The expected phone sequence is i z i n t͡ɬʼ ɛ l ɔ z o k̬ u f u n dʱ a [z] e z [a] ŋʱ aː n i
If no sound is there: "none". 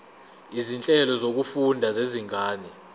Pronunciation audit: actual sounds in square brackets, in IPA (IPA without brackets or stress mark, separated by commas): z, i